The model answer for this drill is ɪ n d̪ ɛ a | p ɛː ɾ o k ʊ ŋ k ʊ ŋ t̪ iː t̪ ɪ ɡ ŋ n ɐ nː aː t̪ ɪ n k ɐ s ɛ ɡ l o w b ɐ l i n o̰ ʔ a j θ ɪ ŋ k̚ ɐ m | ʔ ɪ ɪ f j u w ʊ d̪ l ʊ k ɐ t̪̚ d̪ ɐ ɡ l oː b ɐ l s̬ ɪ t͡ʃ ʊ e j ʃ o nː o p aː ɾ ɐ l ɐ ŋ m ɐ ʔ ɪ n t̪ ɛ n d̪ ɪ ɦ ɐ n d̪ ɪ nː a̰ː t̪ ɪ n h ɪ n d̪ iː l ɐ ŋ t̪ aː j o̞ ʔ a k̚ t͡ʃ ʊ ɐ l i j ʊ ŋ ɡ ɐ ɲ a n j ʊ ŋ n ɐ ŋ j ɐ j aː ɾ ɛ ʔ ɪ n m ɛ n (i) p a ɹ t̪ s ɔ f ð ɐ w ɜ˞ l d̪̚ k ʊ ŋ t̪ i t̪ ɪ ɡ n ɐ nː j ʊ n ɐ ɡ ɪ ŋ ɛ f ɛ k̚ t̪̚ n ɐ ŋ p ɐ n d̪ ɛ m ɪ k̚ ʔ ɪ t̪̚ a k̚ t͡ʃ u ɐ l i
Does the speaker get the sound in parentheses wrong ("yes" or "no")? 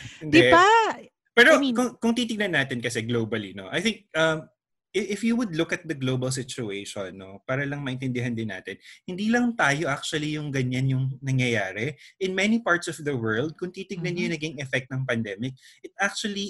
no